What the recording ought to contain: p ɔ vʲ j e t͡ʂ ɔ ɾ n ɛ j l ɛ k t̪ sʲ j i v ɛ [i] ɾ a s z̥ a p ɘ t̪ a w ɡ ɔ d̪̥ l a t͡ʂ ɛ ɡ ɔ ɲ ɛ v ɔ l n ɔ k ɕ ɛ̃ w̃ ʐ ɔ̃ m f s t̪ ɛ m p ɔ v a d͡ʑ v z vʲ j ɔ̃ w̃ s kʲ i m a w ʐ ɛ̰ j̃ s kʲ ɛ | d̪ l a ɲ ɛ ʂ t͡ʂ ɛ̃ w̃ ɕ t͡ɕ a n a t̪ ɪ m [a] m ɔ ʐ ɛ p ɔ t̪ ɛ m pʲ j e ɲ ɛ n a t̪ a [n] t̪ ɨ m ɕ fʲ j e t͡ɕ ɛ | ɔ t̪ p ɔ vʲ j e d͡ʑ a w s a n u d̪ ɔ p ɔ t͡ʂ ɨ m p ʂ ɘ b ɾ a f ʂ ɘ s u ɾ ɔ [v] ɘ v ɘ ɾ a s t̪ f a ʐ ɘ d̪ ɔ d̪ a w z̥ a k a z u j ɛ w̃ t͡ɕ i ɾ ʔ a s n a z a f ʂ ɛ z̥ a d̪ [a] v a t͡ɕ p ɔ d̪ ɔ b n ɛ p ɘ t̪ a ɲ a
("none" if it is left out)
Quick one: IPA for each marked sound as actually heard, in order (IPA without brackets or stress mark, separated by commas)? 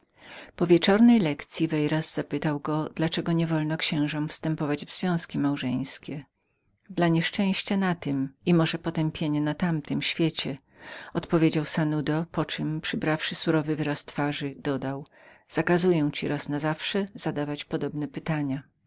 j, i, m, v, a